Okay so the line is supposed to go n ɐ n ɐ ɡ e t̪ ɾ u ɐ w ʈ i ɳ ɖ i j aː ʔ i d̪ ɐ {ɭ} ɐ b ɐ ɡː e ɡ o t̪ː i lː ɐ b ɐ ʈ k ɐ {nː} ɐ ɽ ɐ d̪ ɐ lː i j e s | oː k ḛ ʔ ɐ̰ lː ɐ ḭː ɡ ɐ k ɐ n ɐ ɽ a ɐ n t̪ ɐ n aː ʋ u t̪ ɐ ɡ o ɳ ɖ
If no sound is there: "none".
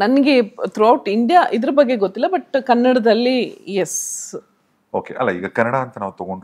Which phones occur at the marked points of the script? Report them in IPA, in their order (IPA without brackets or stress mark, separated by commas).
ɾ, nː